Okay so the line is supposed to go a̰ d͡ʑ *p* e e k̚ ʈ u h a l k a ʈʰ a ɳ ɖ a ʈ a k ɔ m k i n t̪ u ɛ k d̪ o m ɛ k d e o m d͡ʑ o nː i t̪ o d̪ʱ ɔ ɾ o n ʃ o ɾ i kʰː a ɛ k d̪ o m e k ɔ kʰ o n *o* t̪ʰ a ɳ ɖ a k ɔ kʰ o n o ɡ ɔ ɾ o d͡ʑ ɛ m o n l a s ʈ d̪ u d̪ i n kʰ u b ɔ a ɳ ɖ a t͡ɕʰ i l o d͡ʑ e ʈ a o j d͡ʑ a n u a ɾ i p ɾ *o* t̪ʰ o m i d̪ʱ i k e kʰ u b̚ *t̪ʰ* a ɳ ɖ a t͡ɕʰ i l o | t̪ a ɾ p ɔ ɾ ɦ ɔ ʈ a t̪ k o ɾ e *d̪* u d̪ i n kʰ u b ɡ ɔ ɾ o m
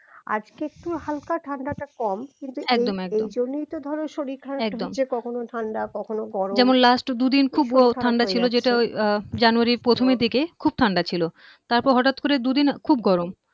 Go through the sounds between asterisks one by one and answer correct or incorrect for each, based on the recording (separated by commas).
incorrect, correct, correct, correct, correct